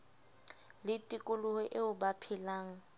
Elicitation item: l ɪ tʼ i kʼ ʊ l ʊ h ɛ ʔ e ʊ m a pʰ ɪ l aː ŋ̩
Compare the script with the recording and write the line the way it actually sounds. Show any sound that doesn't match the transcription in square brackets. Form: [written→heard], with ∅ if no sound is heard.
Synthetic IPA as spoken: l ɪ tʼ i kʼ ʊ l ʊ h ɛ ʔ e ʊ [m→b] a pʰ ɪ l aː ŋ̩